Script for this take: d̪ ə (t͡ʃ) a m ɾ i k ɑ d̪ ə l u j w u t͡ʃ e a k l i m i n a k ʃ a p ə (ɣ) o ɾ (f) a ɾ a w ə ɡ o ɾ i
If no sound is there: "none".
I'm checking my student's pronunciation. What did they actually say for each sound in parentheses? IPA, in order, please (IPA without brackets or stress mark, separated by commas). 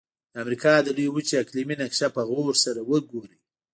none, ɣ, s